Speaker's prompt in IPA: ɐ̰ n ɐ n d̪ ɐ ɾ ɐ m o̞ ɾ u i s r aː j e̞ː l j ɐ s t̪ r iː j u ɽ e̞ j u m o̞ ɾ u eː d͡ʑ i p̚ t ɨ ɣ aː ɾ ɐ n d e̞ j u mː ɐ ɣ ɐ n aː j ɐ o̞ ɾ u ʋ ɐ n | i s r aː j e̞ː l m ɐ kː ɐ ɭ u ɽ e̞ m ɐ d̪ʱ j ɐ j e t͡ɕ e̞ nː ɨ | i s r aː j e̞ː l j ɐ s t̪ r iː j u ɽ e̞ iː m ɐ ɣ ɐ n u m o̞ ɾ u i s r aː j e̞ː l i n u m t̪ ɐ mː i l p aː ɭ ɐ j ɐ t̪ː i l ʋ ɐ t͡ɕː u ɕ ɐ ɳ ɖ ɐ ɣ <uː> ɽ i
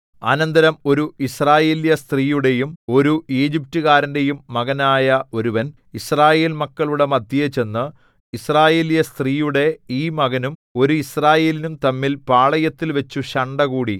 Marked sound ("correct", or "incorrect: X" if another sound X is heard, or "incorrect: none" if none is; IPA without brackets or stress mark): correct